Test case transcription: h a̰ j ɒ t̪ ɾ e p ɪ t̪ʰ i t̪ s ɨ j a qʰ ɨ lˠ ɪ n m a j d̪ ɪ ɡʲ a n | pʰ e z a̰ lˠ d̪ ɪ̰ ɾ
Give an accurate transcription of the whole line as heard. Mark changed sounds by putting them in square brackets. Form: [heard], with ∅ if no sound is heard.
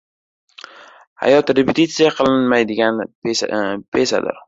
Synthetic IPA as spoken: h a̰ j ɒ t̪ ɾ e p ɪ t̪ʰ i t̪ s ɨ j a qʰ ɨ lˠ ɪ n m a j d̪ ɪ ɡʲ a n | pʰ e [s] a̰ [∅] d̪ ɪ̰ ɾ